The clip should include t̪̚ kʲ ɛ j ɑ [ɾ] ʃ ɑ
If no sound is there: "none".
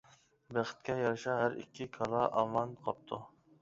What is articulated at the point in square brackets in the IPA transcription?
ɾ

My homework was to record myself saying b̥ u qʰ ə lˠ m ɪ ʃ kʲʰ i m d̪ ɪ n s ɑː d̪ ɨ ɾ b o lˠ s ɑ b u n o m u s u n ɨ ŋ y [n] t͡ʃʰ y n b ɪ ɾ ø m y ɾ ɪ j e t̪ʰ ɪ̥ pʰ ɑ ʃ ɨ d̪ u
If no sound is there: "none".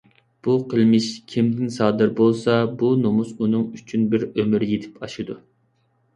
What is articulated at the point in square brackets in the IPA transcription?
none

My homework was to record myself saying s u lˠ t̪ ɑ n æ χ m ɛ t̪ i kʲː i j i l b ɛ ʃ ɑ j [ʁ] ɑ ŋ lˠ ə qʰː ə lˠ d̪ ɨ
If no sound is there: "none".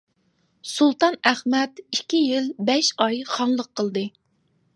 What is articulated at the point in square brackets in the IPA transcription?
χ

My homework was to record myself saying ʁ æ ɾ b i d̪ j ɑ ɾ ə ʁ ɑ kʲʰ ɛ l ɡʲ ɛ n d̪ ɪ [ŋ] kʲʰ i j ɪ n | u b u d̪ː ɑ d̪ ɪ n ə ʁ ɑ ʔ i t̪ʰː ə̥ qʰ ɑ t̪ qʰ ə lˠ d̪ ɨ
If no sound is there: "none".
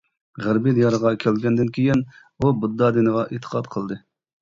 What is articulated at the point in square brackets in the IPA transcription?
n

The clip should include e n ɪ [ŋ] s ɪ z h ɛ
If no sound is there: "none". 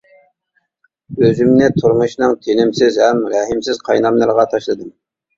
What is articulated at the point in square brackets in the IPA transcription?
m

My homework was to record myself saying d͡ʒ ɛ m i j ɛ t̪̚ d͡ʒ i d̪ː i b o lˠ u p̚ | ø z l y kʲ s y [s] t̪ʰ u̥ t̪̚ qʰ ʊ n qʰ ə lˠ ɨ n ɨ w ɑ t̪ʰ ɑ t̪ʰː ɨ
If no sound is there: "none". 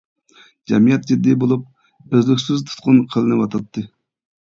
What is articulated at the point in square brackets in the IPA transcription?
z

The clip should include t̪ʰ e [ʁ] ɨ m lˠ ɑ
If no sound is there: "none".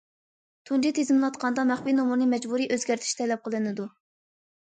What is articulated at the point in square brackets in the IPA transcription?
z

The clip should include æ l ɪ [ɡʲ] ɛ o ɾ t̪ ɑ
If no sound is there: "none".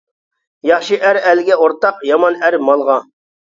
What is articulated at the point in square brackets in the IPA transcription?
ɡʲ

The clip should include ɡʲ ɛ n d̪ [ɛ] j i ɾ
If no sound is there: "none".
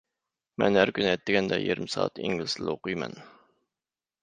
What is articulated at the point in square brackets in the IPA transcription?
ɛ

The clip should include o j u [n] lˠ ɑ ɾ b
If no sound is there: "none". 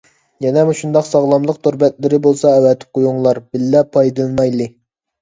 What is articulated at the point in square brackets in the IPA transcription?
ŋ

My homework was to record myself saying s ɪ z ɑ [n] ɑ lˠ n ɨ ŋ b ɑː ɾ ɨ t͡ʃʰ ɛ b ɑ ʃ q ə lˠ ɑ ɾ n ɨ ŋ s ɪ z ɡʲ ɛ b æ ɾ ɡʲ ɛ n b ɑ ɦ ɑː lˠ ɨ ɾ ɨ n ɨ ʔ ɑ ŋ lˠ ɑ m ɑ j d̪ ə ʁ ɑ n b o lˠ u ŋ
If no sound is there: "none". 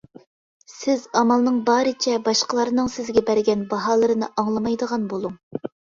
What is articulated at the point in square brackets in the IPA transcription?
m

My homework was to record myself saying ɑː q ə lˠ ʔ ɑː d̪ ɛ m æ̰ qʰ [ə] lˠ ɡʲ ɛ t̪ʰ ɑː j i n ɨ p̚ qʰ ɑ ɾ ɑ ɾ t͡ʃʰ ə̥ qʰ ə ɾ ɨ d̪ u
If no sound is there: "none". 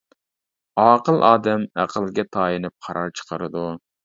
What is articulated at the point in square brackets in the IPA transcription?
ə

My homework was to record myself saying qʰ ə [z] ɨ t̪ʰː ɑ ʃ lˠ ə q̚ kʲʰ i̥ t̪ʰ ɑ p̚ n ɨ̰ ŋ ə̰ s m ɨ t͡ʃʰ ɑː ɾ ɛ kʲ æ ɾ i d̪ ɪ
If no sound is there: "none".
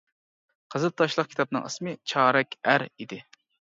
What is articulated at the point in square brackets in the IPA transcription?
z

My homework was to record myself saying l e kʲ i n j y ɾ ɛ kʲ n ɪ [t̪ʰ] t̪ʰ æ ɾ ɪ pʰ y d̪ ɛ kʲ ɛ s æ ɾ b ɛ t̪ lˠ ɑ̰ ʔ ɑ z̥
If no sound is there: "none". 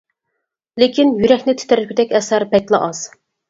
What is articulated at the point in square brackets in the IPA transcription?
t̪ʰ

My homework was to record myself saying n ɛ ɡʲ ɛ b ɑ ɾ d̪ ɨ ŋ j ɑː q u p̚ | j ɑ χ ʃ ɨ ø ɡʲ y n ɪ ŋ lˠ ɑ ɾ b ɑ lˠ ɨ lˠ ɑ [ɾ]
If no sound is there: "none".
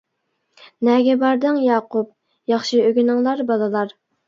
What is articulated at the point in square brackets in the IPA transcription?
ɾ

